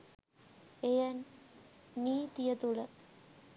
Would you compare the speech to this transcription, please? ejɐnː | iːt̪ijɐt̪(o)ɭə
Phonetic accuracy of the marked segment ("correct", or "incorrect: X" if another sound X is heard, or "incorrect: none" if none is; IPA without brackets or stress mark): incorrect: u